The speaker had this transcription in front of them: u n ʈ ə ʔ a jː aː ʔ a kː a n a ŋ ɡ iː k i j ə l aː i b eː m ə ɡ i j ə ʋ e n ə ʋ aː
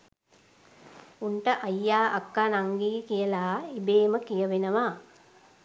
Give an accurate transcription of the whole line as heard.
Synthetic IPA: u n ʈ ə ʔ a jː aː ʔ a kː a n a ŋ ɡ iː k i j ə l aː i b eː m ə k i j ə ʋ e n ə ʋ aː